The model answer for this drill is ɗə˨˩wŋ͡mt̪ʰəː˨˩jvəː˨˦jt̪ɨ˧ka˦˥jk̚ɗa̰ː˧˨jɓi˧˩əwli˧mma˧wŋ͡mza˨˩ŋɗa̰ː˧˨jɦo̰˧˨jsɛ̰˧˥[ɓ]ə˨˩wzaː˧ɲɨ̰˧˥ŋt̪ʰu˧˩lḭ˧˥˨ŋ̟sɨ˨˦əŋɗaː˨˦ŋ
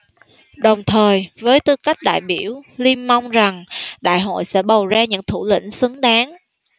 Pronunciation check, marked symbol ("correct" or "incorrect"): correct